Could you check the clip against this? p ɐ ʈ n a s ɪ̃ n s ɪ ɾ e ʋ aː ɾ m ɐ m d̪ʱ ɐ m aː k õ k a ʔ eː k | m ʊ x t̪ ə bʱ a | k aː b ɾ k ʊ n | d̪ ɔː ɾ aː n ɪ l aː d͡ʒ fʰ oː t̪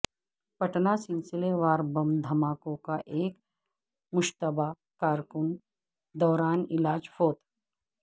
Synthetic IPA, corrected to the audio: p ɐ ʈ n a s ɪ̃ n s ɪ l e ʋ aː ɾ b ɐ m d̪ʱ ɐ m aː k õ k a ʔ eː k | m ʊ ʃ t̪ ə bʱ a | k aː ɾ k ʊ n | d̪ ɔː ɾ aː n ɪ l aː d͡ʒ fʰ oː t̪